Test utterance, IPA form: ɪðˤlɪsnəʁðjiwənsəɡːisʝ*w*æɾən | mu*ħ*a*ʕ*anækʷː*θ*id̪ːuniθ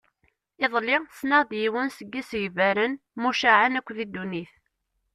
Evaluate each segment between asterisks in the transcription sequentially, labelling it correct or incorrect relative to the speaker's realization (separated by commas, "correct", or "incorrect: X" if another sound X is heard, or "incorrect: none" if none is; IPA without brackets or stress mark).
incorrect: v, incorrect: ʃ, correct, incorrect: ð